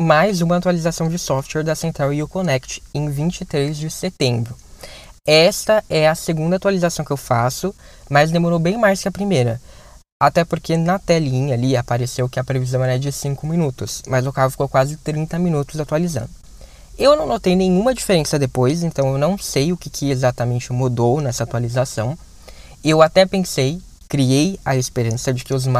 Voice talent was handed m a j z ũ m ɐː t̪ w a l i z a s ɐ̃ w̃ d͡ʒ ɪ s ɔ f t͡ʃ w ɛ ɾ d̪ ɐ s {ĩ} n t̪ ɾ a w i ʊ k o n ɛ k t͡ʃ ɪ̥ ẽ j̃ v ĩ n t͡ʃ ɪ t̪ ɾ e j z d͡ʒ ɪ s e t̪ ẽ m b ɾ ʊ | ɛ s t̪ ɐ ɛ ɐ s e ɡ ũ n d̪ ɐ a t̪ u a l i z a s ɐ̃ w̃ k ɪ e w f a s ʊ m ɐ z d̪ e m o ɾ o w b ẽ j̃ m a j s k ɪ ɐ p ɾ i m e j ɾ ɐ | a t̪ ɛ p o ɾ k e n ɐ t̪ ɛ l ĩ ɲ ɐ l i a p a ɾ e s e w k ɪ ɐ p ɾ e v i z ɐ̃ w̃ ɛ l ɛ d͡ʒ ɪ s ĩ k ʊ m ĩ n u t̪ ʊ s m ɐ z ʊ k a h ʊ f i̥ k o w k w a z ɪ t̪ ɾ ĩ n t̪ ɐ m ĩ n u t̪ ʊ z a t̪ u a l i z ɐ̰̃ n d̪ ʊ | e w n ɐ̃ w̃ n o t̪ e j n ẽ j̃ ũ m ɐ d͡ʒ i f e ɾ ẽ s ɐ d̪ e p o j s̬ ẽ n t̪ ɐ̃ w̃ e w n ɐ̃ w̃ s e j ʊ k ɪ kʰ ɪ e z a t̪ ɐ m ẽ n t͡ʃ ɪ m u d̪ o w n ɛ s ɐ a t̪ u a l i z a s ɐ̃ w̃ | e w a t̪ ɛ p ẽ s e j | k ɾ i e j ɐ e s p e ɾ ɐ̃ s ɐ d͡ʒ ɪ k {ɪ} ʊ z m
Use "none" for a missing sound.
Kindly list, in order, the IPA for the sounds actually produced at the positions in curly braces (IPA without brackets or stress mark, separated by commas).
ẽ, ɪ